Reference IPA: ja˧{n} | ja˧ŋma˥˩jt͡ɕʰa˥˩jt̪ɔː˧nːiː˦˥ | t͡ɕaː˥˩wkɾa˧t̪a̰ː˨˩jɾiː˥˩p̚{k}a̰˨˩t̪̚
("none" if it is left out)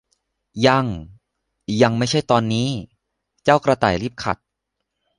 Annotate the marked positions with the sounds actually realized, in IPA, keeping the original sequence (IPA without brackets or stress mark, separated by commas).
ŋ, kʰ